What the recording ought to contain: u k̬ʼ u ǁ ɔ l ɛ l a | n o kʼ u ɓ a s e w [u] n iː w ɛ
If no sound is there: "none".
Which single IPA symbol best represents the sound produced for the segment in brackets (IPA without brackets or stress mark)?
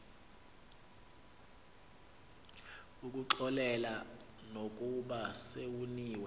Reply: u